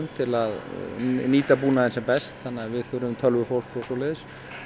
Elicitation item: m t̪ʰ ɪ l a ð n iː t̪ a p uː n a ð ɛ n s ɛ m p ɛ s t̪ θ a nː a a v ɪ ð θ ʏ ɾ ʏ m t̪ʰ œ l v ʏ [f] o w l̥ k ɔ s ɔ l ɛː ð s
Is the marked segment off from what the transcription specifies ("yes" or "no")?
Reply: no